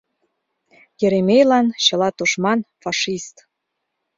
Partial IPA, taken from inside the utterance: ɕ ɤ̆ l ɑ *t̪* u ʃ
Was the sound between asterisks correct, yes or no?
yes